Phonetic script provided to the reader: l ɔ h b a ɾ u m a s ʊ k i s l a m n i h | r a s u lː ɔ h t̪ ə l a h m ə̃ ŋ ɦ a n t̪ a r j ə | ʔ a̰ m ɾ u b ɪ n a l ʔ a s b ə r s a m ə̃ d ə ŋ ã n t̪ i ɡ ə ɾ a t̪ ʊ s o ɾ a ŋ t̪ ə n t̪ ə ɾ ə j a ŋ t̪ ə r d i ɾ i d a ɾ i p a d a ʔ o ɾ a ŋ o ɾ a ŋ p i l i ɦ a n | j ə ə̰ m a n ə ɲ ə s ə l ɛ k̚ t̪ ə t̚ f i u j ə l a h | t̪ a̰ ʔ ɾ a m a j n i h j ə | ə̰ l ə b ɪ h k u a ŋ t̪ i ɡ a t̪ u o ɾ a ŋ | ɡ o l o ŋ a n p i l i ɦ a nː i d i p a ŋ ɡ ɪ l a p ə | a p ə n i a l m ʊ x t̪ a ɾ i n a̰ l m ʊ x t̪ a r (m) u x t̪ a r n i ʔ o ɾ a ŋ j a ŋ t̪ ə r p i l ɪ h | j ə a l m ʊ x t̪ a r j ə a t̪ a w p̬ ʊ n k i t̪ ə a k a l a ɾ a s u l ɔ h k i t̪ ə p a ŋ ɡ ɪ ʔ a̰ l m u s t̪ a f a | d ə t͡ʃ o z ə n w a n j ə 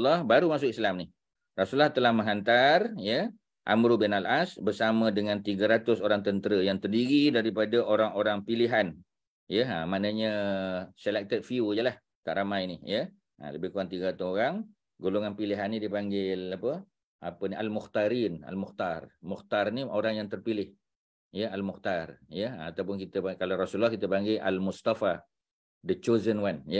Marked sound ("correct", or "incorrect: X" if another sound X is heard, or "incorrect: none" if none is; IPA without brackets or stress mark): correct